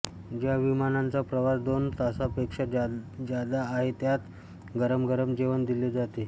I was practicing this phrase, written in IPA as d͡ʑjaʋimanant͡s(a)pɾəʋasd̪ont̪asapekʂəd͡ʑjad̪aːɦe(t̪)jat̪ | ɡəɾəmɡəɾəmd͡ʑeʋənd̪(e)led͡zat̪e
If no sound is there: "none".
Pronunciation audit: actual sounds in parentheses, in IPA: a, t̪, i

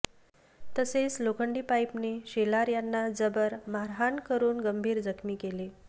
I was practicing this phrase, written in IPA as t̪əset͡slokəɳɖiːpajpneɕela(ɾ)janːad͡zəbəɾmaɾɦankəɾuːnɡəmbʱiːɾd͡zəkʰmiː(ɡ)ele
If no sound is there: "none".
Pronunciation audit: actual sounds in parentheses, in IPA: ɾ, k

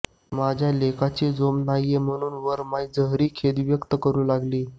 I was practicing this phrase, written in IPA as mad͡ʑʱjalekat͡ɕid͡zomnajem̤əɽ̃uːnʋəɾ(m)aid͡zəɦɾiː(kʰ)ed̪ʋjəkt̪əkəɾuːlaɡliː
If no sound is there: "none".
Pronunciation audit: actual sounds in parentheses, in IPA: m, kʰ

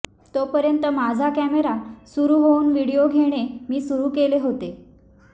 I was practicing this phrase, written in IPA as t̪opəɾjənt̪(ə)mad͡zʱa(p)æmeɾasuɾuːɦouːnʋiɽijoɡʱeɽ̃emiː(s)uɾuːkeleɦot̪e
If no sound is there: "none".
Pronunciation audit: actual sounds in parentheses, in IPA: ə, k, s

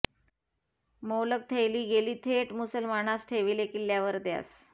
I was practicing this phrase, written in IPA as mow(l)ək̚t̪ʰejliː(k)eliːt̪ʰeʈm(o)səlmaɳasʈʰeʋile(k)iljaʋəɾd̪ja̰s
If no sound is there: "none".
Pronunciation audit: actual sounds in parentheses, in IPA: l, ɡ, u, k

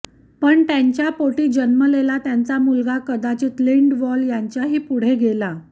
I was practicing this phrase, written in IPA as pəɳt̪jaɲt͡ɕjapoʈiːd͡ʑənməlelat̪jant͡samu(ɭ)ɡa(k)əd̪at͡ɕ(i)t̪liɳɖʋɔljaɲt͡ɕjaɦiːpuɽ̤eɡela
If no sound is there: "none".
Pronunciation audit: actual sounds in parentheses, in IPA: l, k, iː

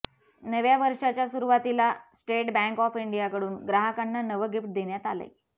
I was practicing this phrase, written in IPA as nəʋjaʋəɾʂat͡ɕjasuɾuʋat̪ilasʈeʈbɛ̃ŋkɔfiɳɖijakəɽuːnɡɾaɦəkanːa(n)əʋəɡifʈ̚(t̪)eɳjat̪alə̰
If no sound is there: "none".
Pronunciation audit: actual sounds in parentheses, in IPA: n, d̪

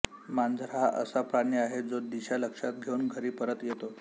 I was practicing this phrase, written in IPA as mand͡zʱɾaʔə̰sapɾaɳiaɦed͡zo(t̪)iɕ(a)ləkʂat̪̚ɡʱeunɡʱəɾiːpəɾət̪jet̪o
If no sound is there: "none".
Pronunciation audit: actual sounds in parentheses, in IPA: d̪, a

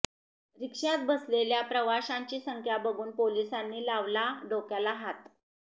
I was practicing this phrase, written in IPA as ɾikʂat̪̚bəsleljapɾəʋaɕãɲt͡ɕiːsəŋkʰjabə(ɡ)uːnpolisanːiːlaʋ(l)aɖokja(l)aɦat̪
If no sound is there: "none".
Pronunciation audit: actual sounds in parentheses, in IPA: ɡ, l, l

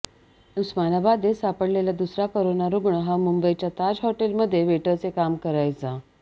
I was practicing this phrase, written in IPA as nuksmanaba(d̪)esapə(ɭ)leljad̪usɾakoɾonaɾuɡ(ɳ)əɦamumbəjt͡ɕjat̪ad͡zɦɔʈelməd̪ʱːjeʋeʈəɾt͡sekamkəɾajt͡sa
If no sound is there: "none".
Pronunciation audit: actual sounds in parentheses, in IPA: d̪, ɽ, ɳ

